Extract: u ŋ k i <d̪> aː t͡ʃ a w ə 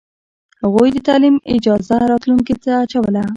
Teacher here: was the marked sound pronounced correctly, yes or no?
no